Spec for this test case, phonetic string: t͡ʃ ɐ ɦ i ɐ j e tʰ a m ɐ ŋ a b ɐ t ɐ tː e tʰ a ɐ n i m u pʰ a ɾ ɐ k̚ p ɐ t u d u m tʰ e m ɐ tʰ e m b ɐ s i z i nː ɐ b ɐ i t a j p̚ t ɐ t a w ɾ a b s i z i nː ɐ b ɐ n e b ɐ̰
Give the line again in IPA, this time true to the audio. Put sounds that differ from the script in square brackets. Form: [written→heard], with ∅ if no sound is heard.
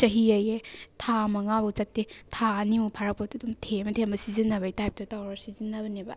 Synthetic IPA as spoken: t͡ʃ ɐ ɦ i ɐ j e tʰ a m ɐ ŋ a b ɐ [t→t͡ʃ] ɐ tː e tʰ a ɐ n i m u pʰ a ɾ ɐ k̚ p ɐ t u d u m tʰ e m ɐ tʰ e m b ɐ s i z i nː ɐ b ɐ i t a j p̚ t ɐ t a w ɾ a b s i z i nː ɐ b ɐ n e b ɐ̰